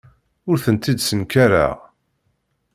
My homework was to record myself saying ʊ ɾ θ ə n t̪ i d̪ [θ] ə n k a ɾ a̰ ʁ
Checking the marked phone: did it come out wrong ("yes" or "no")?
yes